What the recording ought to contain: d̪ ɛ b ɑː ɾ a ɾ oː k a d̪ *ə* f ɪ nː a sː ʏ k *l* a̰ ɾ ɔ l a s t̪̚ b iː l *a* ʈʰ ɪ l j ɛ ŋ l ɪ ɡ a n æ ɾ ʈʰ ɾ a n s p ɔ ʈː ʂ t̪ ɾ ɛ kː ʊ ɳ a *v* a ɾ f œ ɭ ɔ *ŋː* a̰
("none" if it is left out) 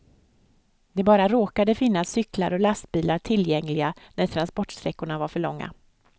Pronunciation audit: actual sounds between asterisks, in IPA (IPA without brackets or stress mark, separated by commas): ə, l, a, v, ŋː